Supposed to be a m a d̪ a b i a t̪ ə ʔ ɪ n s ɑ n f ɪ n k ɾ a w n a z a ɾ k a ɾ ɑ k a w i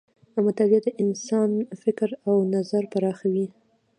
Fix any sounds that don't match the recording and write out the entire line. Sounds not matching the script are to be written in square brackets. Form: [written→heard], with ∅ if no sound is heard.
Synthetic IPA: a m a [d̪→t̪] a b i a [t̪→d̪] ə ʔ ɪ n s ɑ n f ɪ [n→∅] k ɾ a w n a z a ɾ [k→p] a ɾ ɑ [k→x] a w i